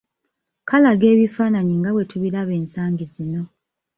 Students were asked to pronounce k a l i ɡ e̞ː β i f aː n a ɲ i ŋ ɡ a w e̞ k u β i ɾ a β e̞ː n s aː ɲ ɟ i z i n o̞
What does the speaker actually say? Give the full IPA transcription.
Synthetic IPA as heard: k a l a ɡ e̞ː β i f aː n a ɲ i ŋ ɡ a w e̞ t u β i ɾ a β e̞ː n s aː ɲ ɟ i z i n o̞